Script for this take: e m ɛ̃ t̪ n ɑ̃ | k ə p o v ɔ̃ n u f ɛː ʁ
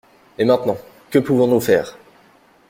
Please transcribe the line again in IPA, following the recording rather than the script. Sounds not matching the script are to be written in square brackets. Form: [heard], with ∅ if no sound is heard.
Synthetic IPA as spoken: e m ɛ̃ t̪ n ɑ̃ | k ə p [u] v ɔ̃ n u f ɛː ʁ